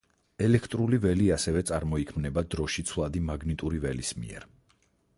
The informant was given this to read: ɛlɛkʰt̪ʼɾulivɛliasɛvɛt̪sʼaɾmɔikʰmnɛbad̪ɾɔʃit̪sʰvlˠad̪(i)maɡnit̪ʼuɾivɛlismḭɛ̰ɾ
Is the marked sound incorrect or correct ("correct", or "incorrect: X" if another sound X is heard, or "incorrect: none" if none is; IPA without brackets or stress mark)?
correct